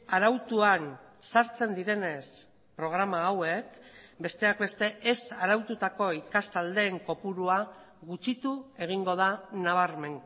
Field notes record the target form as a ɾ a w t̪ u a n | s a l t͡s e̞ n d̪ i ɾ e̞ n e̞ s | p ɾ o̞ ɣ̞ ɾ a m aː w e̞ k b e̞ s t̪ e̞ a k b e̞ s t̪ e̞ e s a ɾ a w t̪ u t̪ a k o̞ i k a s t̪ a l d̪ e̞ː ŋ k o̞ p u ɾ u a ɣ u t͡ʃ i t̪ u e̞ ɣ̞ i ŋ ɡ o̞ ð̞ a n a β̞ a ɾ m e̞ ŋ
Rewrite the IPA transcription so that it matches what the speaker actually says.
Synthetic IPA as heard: a ɾ a w t̪ u a n | s a ɾ t͡s e̞ n d̪ i ɾ e̞ n e̞ s | p ɾ o̞ ɣ̞ ɾ a m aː w e̞ k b e̞ s t̪ e̞ a k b e̞ s t̪ e̞ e s a ɾ a w t̪ u t̪ a k o̞ i k a s t̪ a l d̪ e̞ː ŋ k o̞ p u ɾ u a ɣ u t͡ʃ i t̪ u e̞ ɣ̞ i ŋ ɡ o̞ ð̞ a n a β̞ a ɾ m e̞ ŋ

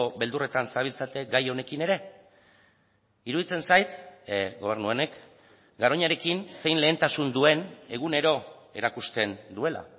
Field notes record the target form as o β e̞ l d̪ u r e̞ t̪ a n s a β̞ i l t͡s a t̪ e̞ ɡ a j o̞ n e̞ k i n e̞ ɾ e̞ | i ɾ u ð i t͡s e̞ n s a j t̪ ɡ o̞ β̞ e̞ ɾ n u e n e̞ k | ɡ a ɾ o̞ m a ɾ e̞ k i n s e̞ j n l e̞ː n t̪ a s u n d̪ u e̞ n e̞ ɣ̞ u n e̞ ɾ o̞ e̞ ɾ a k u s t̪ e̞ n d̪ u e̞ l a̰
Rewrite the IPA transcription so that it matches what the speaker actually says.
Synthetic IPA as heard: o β e̞ l d̪ u r e̞ t̪ a n s a β̞ i l t͡s a t̪ e̞ ɡ a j o̞ n e̞ k i n e̞ ɾ e̞ | i ɾ u ð i t͡s e̞ n s a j t̪ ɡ o̞ β̞ e̞ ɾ n u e n e̞ k | ɡ a ɾ o̞ ɲ a ɾ e̞ k i n s e̞ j n l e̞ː n t̪ a s u n d̪ u e̞ n e̞ ɣ̞ u n e̞ ɾ o̞ e̞ ɾ a k u s t̪ e̞ n d̪ u e̞ l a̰

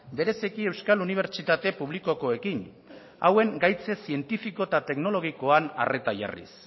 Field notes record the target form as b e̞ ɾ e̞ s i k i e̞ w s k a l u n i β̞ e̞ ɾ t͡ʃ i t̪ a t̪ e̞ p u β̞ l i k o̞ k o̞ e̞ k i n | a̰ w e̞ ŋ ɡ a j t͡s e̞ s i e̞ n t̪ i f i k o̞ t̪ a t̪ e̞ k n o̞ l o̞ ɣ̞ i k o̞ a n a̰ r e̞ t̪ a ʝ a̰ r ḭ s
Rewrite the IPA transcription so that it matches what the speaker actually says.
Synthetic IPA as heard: b e̞ ɾ e̞ s i k i e̞ w s k a l u n i β̞ e̞ ɾ t͡ʃ i t̪ a t̪ e̞ p u β̞ l i k o̞ k o̞ e̞ k i n | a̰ w e̞ ŋ ɡ a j t͡s e̞ s i e̞ n t̪ i f i k o̞ t̪ a t̪ e̞ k n o̞ l o̞ ɣ̞ i k o̞ a n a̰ r e̞ t̪ a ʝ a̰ r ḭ s

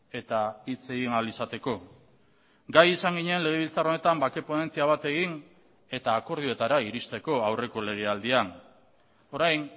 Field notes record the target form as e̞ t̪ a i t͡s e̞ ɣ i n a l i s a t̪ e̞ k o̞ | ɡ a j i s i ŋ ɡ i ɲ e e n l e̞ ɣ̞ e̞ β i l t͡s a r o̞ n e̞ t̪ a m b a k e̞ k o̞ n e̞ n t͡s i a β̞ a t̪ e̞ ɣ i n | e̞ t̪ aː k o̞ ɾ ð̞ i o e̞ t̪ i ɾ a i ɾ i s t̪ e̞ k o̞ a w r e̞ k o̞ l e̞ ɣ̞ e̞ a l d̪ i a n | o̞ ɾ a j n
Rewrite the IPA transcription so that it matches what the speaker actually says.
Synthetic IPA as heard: e̞ t̪ a i t͡s e̞ ɣ i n a l i s a t̪ e̞ k o̞ | ɡ a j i s a ŋ ɡ i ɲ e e n l e̞ ɣ̞ e̞ β i l t͡s a r o̞ n e̞ t̪ a m b a k e̞ p o̞ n e̞ n t͡s i a β̞ a t̪ e̞ ɣ i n | e̞ t̪ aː k o̞ ɾ ð̞ i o e̞ t̪ a ɾ a i ɾ i s t̪ e̞ k o̞ a w r e̞ k o̞ l e̞ ɣ̞ e̞ a l d̪ i a n | o̞ ɾ a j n

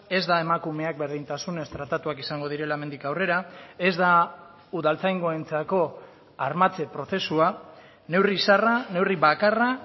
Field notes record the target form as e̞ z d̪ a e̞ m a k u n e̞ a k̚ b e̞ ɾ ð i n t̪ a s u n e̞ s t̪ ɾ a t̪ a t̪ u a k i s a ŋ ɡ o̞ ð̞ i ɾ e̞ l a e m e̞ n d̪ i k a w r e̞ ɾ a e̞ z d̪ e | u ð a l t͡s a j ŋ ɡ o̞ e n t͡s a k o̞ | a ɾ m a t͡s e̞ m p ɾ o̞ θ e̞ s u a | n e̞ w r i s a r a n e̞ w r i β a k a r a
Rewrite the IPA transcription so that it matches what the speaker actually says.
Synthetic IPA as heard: e̞ z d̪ a e̞ m a k u m e̞ a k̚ b e̞ ɾ ð i n t̪ a s u n e̞ s t̪ ɾ a t̪ a t̪ u a k i s a ŋ ɡ o̞ ð̞ i ɾ e̞ l a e m e̞ n d̪ i k a w r e̞ ɾ a e̞ z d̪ a | u ð a l t͡s a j ŋ ɡ o̞ e n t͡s a k o̞ | a ɾ m a t͡s e̞ p ɾ o̞ θ e̞ s u a | n e̞ w r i s a r a n e̞ w r i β a k a r a

